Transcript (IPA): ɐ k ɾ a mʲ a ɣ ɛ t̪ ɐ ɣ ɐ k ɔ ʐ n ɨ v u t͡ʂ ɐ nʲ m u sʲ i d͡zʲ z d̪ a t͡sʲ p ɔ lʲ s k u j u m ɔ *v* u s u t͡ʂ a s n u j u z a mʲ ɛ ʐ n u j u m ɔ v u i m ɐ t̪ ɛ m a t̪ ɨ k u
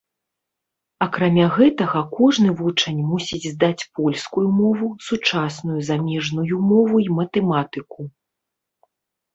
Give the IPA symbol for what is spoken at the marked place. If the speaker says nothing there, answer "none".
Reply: v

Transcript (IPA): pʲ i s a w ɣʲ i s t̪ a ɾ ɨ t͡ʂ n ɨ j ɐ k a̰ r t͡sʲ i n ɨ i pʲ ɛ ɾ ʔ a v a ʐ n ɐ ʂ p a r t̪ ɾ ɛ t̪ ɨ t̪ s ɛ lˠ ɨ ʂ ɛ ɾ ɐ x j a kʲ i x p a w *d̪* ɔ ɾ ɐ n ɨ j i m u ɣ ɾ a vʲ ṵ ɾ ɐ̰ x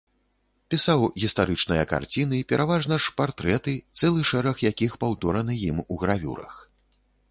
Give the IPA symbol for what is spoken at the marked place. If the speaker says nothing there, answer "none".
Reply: t̪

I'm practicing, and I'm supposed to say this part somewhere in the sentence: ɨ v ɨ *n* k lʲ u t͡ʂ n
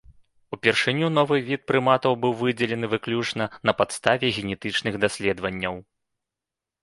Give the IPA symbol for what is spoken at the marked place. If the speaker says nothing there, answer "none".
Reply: none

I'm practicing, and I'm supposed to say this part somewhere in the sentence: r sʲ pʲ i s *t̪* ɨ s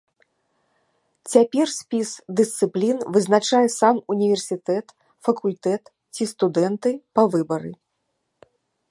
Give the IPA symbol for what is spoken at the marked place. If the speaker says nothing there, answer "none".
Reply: d̪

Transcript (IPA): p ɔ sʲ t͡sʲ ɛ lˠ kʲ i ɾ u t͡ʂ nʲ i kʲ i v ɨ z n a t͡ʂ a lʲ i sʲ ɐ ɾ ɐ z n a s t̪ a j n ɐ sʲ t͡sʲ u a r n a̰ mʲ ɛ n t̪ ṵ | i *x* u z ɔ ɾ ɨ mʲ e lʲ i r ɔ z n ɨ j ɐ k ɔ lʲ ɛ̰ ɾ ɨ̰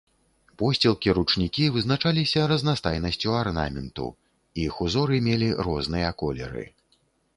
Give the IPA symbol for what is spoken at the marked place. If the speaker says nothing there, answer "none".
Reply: x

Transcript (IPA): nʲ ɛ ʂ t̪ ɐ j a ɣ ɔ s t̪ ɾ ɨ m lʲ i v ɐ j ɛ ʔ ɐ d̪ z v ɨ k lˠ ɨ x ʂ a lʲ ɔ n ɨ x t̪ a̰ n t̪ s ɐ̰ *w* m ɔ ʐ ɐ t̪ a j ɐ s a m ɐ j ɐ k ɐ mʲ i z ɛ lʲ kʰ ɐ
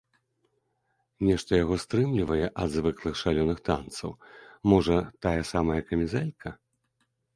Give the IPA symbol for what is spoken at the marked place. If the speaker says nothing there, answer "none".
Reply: w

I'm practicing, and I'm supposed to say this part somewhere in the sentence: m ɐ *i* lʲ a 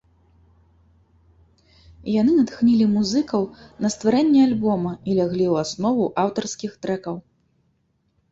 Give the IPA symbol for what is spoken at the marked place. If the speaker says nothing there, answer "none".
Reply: i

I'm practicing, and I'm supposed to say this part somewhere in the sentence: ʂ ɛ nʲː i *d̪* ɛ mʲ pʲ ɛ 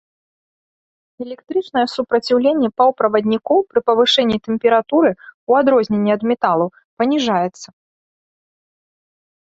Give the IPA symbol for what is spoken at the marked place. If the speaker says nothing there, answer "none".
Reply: t̪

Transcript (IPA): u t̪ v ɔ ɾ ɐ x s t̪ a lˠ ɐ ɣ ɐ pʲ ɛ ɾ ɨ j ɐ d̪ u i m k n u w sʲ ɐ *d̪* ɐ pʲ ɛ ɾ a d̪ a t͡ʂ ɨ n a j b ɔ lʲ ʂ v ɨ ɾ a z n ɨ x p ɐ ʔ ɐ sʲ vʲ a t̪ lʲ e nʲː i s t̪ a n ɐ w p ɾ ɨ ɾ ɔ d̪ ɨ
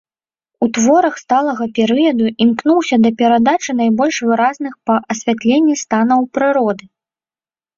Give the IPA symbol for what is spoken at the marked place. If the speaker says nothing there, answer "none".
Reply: d̪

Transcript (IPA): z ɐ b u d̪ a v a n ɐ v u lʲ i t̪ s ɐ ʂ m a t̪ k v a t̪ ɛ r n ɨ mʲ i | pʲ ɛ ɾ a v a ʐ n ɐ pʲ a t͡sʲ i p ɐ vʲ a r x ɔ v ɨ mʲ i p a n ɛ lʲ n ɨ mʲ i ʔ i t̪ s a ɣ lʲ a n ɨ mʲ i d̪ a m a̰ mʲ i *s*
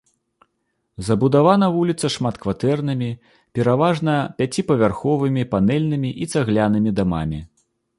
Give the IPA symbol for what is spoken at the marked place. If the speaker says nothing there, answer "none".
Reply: none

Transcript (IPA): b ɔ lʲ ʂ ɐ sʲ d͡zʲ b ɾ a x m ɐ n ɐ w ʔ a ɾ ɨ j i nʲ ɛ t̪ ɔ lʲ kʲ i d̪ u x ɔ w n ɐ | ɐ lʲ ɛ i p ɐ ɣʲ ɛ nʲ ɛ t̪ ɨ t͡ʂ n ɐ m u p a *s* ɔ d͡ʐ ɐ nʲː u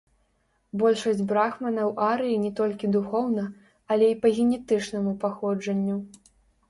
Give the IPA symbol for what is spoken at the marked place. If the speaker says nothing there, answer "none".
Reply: x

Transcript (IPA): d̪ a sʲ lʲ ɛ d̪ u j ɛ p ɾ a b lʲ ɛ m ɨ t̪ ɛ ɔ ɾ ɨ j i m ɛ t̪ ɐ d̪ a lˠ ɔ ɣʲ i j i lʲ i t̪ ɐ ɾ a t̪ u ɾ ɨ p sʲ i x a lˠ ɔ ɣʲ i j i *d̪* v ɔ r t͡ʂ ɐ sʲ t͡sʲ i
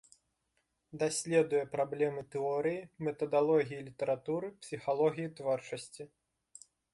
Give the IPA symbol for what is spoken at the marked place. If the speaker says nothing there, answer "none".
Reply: t̪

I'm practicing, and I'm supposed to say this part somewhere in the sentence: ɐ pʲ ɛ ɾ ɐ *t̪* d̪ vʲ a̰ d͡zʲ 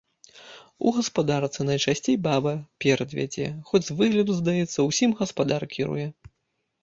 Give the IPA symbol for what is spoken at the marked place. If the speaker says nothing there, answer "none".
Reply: none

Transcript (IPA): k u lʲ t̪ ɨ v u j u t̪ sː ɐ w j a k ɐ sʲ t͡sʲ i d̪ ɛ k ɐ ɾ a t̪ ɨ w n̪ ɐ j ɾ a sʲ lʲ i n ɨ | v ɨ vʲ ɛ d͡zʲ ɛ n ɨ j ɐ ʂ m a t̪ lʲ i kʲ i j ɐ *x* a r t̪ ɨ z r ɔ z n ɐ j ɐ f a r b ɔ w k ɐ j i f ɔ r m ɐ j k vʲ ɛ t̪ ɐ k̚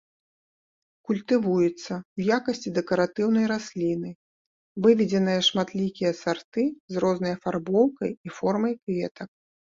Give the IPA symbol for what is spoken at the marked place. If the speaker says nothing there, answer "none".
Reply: s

